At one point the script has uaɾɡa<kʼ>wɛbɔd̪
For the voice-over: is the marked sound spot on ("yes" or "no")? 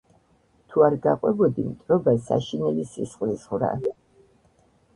no